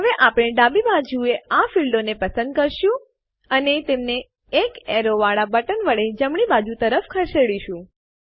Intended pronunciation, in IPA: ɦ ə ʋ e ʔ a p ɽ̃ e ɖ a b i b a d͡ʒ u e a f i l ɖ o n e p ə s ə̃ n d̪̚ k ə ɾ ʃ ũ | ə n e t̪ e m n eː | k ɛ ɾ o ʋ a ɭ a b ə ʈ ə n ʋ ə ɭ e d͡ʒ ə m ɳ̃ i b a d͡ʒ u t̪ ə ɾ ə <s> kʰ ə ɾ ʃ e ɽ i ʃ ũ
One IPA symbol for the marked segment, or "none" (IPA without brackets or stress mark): f